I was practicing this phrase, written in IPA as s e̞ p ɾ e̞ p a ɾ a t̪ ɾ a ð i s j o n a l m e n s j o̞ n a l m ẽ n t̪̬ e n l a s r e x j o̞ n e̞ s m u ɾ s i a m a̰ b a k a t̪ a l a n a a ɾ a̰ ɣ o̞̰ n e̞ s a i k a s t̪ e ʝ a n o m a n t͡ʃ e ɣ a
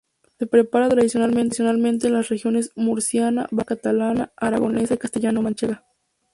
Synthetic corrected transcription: s e̞ p ɾ e̞ p a ɾ a t̪ ɾ a ð i s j o n a l m e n s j o̞ n a l m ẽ n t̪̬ e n l a s r e x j o̞ n e̞ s m u ɾ s j a n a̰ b a k a t̪ a l a n a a ɾ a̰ ɣ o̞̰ n e̞ s a i k a s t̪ e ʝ a n o m a n t͡ʃ e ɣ a